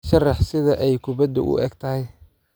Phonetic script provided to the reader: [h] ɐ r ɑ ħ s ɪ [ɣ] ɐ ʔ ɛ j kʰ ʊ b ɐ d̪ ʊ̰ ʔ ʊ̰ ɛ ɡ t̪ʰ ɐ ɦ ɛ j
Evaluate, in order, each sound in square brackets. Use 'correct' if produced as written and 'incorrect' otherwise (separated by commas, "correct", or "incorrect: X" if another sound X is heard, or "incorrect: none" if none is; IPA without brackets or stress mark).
incorrect: ʃ, incorrect: ð